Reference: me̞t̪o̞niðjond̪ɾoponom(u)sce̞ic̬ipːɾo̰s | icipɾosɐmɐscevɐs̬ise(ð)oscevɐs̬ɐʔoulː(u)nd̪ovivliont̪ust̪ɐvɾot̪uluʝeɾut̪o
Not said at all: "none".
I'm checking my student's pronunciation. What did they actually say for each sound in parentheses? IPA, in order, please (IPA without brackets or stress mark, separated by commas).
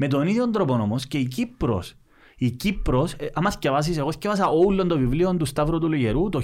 o, ɣ, o